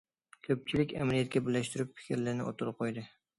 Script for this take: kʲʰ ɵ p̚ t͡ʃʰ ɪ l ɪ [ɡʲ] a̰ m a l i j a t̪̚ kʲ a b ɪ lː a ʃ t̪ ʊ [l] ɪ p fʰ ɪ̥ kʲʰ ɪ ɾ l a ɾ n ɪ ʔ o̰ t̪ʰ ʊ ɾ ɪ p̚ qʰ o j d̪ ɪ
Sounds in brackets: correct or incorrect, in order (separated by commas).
incorrect, incorrect